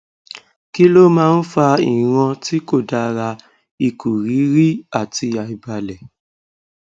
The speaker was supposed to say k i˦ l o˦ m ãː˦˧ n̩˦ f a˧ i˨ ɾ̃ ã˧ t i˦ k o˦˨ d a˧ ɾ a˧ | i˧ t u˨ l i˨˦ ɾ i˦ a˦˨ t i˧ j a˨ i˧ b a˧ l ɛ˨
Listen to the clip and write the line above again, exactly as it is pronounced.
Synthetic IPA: k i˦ l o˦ m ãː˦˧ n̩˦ f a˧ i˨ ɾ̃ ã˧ t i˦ k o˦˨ d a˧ ɾ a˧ | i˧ k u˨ ɾ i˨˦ ɾ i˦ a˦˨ t i˧ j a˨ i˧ b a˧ l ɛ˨